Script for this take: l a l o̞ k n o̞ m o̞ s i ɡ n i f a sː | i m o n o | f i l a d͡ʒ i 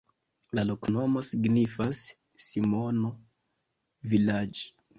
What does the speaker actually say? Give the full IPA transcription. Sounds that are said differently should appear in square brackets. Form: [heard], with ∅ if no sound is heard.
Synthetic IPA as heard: l a l o̞ k n o̞ m o̞ s i ɡ n i f a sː | i m o n o | [v] i l a d͡ʒ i